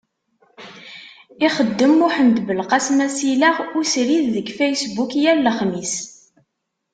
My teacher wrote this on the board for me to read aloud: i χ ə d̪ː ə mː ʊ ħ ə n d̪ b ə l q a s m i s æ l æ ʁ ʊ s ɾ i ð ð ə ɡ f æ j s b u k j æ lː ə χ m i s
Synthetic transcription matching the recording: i χ ə d̪ː ə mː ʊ ħ ə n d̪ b ə l q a s m æ s i l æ ʁ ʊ s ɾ i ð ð ə ɡ f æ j s b u k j æ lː ə χ m i s